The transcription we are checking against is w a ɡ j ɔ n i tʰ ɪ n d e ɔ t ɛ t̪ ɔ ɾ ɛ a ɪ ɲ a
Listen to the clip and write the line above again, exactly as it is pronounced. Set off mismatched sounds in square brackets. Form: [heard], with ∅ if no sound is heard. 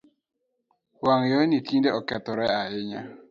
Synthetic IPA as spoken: w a [ŋ] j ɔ n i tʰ [i] n d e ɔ [k] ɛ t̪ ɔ ɾ ɛ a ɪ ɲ a

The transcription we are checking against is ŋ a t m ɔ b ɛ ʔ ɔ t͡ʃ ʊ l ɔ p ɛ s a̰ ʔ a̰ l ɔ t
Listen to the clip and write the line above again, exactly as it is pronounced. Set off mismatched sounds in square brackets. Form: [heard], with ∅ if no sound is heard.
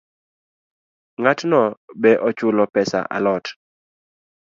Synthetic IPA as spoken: ŋ a t [n] ɔ b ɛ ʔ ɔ t͡ʃ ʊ l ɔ p ɛ s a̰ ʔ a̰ l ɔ t

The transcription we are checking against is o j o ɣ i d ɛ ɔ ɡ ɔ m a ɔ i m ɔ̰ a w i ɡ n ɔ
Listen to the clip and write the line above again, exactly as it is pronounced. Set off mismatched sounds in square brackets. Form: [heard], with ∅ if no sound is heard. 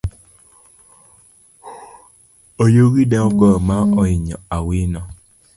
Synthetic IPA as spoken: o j o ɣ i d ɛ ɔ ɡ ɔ m a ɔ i [ɲ] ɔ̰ a w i [∅] n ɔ

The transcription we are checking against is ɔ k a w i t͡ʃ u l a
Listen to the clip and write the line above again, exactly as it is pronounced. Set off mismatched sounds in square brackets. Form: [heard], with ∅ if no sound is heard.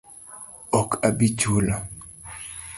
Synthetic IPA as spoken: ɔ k a [b] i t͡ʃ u l a

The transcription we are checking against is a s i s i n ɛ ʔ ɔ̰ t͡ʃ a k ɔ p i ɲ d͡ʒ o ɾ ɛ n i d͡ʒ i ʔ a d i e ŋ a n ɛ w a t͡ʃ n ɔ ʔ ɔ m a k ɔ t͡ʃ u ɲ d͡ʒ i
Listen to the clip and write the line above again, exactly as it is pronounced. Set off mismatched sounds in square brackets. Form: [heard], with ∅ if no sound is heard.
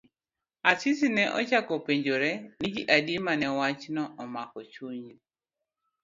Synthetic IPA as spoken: a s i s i n ɛ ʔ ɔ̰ t͡ʃ a k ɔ p [e] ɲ d͡ʒ o ɾ ɛ n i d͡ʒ i ʔ a d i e [m] a n ɛ w a t͡ʃ n ɔ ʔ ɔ m a k ɔ t͡ʃ u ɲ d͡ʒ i

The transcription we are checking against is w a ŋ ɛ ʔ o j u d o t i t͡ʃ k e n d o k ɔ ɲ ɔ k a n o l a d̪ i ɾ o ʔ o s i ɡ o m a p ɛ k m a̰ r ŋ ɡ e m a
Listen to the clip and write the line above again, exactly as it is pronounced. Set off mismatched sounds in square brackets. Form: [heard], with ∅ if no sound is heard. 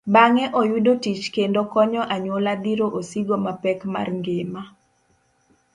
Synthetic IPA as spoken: [b] a ŋ ɛ ʔ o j u d o t i t͡ʃ k e n d o k ɔ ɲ ɔ [ʔ] a [ɲ] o l a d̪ i ɾ o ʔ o s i ɡ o m a p ɛ k m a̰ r ŋ ɡ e m a

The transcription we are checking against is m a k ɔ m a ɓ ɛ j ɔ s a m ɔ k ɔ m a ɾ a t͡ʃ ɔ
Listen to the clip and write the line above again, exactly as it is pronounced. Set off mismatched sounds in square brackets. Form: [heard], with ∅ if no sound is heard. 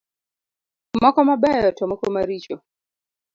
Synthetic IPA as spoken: m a k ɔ m a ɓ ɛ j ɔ [t] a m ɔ k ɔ m a ɾ [i] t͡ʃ ɔ

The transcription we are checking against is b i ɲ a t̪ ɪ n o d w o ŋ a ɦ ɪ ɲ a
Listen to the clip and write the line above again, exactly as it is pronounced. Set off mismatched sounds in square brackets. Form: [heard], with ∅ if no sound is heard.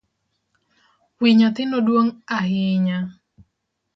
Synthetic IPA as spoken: [w] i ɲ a t̪ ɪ n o d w o ŋ a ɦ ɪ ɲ a

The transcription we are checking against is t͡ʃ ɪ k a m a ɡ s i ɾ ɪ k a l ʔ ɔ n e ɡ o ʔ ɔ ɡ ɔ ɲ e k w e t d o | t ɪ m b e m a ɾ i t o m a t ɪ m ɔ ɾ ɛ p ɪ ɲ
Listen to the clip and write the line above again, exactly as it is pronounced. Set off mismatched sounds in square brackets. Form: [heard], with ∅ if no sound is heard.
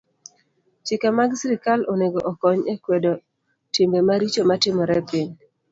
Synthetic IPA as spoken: t͡ʃ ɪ k a m a ɡ s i ɾ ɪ k a l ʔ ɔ n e ɡ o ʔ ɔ [k] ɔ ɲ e k w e [∅] d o | t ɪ m b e m a ɾ i [t͡ʃ] o m a t ɪ m ɔ ɾ ɛ p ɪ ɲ

